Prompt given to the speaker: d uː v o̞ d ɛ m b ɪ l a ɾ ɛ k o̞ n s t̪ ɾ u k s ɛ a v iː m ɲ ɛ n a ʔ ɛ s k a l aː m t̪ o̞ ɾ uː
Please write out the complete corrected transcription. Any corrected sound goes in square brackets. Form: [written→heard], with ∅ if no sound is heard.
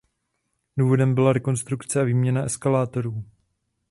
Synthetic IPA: d uː v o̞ d ɛ m b ɪ l a ɾ ɛ k o̞ n s t̪ ɾ u k [s→t͡s] ɛ a v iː m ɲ ɛ n a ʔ ɛ s k a l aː [m→∅] t̪ o̞ ɾ uː